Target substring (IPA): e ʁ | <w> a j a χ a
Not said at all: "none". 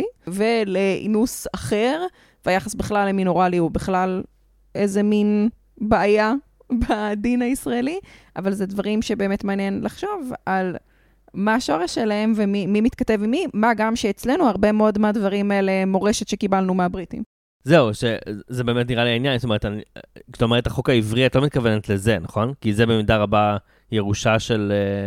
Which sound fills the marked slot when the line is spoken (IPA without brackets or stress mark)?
v